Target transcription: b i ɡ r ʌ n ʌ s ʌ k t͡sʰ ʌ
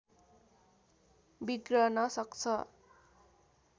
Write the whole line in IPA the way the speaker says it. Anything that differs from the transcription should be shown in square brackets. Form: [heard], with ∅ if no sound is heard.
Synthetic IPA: b i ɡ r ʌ n ʌ s ʌ k t͡sʰ ʌ